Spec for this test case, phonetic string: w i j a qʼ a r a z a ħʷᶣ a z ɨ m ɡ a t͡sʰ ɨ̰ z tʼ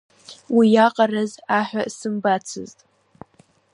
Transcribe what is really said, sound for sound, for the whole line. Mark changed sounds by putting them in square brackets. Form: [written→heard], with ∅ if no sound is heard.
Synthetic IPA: w i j a qʼ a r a z a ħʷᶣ a [z→s] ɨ m [ɡ→b] a t͡sʰ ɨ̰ z tʼ